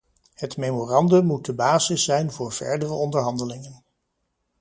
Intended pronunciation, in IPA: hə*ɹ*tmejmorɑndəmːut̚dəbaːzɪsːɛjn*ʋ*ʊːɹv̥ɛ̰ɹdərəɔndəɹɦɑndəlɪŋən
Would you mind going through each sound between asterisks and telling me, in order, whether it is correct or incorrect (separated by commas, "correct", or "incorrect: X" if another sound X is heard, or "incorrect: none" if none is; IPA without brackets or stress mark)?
incorrect: none, incorrect: v